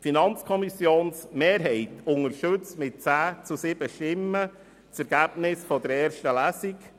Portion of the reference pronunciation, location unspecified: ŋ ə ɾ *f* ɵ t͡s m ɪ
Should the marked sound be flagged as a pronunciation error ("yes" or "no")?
yes